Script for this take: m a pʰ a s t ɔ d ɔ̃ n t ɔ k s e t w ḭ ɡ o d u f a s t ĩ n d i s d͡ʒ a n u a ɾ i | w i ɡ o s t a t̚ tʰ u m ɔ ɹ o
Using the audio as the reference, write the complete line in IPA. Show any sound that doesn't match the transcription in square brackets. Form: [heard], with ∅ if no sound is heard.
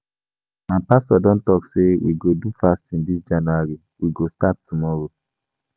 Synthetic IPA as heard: m a [p] a s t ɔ d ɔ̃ n t ɔ k s e [∅] w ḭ ɡ o d u f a s t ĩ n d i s d͡ʒ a n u a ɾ i | w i ɡ o s t a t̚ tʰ u m ɔ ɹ o

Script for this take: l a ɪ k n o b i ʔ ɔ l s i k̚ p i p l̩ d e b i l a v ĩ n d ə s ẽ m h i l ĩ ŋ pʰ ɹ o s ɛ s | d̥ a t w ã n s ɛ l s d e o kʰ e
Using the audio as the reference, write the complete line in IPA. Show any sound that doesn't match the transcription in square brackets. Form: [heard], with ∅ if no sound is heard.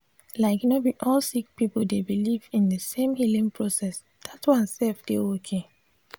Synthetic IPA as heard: l a ɪ k n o b i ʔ ɔ l s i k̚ p i p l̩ d e b i l [i] v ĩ n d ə s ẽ m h i l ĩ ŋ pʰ ɹ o s ɛ s | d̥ a t w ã n s ɛ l [f] d e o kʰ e

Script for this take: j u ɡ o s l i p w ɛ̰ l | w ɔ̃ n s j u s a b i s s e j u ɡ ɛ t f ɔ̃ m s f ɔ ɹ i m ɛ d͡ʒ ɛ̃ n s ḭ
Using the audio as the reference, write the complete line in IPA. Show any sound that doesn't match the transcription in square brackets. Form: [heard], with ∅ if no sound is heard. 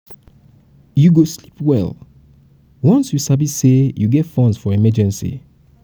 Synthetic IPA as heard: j u ɡ o s l i p w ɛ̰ l | w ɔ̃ n s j u s a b i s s e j u ɡ ɛ t f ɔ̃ [n] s f ɔ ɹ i m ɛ d͡ʒ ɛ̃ n s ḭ

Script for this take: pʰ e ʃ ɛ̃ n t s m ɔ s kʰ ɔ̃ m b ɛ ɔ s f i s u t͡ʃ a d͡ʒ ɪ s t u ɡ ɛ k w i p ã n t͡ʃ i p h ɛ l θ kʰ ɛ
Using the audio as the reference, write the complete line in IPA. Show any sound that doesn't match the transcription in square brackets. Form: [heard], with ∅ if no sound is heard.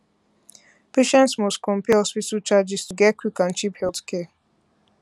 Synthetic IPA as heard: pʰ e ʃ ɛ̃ n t s m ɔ s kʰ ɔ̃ m [p] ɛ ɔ s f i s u t͡ʃ a d͡ʒ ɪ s t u ɡ ɛ k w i [k] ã n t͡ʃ i p h ɛ l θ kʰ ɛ

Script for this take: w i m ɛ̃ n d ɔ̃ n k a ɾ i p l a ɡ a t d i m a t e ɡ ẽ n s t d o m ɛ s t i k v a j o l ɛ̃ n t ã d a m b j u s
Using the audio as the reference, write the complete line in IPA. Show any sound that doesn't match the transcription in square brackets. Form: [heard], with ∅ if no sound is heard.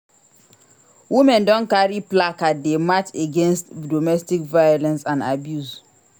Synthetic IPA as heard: w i m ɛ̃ n d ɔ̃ n k a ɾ i p l a [k] a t d [e] m a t e ɡ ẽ n s t d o m ɛ s t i k v a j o l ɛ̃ n [s] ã [n] a [∅] b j u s

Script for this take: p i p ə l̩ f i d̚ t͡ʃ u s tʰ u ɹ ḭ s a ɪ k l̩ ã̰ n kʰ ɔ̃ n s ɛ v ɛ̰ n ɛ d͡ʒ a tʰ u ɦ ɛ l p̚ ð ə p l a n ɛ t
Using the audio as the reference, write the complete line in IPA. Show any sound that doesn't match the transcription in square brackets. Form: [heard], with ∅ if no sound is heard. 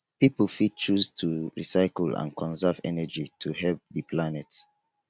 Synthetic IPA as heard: p i p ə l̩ f i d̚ t͡ʃ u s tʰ u ɹ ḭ s a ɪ k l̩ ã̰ n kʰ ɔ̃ n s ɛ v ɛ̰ n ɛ d͡ʒ [i] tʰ u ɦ ɛ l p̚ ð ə p l a n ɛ t

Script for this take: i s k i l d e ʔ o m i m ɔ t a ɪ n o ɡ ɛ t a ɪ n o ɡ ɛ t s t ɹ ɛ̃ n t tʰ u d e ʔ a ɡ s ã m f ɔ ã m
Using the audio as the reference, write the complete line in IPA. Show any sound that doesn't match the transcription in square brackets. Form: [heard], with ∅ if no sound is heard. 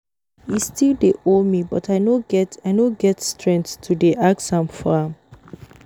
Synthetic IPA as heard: i s [t] i l d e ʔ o m i [b] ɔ t a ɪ n o ɡ ɛ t a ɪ n o ɡ ɛ t s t ɹ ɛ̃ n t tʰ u d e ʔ a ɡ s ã m f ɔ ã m

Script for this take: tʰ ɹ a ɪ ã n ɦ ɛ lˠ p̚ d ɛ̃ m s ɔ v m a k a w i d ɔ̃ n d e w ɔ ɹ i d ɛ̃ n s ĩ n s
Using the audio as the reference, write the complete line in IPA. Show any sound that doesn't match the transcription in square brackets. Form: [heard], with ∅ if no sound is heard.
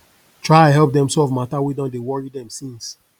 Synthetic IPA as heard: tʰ ɹ a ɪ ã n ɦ ɛ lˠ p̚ d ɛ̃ m s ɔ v m a [t] a w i d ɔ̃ n d e w ɔ ɹ i d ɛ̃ [m] s ĩ n s

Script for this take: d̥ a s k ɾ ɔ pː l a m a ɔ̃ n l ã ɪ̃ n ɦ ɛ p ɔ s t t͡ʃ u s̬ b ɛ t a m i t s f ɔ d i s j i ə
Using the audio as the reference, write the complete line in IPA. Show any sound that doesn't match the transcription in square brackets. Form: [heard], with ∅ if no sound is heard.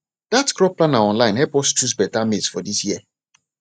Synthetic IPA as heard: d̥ a [t] k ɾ ɔ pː l a [n] a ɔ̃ n l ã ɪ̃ n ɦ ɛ p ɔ s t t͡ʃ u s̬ b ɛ t a m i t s f ɔ d i s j i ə

